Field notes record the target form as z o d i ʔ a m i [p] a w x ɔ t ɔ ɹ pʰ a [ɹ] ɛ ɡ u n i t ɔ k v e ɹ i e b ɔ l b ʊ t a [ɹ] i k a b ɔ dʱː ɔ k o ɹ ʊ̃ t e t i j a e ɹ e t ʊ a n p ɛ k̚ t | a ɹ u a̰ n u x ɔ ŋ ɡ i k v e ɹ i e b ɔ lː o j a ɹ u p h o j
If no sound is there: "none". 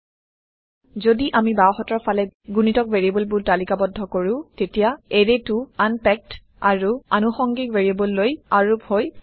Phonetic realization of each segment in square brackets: b, l, l

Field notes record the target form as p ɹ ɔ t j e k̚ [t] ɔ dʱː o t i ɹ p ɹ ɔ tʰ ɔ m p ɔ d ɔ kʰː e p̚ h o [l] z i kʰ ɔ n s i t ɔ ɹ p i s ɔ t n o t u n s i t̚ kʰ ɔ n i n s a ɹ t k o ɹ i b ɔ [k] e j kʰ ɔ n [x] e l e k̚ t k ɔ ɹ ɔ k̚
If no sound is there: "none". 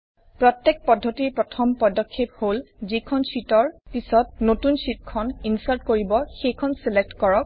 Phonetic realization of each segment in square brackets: p, l, x, s

